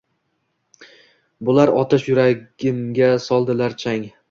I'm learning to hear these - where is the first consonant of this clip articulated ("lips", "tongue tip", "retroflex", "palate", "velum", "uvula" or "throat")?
lips